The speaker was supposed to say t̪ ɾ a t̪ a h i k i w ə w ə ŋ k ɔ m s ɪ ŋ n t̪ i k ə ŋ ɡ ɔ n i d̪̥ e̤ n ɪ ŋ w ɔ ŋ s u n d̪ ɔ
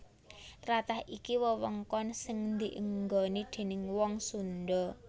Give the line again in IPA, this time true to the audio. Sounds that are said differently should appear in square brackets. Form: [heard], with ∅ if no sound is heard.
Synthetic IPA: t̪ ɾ a t̪ a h i k i w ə w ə ŋ k ɔ [n] s ɪ ŋ n [d̪] i [ʔ] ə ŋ ɡ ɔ n i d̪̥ e̤ n ɪ ŋ w ɔ ŋ s u n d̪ ɔ